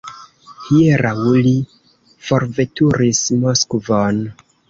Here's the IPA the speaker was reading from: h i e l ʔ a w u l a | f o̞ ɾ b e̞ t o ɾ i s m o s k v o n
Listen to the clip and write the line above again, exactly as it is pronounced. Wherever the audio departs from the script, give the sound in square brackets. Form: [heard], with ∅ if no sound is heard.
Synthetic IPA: h i e [ɾ] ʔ a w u l [i] | f o̞ ɾ [v] e̞ t [u] ɾ i s m o s k v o n